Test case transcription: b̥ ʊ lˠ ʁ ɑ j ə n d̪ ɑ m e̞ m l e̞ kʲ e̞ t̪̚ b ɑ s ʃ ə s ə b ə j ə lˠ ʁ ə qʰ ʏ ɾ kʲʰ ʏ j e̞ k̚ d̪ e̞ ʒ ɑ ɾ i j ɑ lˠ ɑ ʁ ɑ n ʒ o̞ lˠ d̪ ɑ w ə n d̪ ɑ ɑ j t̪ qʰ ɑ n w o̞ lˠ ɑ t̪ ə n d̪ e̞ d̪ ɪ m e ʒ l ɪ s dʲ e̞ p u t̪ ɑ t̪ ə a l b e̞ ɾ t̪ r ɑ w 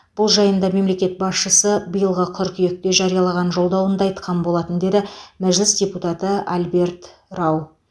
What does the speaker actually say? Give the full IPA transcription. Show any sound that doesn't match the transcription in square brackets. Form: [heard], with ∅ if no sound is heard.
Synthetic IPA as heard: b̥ ʊ lˠ [ʒ] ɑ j ə n d̪ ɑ m e̞ m l e̞ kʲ e̞ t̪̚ b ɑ s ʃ ə s ə b ə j ə lˠ ʁ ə qʰ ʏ ɾ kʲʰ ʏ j e̞ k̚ [t̪] e̞ ʒ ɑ ɾ i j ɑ lˠ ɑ ʁ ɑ n ʒ o̞ lˠ d̪ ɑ w ə n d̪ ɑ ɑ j t̪ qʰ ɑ n [b] o̞ lˠ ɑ t̪ ə n d̪ e̞ d̪ ɪ m [æ] ʒ l ɪ s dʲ e̞ p u t̪ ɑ t̪ ə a l b e̞ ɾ t̪ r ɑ w